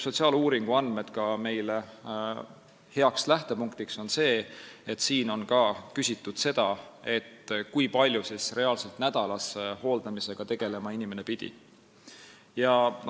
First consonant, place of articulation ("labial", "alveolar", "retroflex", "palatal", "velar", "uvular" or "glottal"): alveolar